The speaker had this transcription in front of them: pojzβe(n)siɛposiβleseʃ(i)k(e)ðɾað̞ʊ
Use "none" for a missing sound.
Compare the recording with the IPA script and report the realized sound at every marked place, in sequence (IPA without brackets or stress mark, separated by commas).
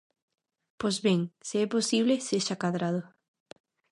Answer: ŋ, a, a